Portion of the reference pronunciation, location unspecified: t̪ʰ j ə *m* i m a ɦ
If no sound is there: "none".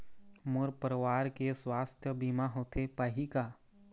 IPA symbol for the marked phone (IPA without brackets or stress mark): b